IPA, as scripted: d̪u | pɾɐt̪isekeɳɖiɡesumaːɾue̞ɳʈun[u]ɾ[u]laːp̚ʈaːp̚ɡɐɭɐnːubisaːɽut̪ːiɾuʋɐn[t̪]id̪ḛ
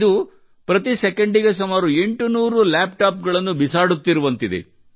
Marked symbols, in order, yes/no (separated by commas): no, yes, yes